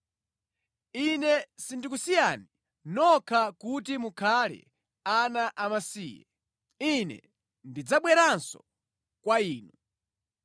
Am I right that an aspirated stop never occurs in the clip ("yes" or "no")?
no